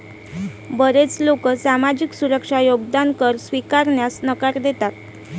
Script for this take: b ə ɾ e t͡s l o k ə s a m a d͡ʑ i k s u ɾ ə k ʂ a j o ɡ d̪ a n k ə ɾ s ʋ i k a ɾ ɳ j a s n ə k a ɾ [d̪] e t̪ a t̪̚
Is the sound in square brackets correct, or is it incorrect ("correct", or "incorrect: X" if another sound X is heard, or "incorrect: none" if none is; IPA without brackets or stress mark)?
correct